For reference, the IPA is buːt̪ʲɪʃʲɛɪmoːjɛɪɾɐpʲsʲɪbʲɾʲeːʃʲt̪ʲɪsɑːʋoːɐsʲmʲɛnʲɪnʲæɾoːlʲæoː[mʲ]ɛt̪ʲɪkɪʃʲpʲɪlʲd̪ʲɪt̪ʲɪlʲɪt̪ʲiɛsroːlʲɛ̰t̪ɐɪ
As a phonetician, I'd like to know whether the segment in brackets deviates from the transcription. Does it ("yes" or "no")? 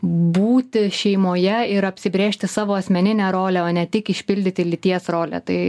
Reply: yes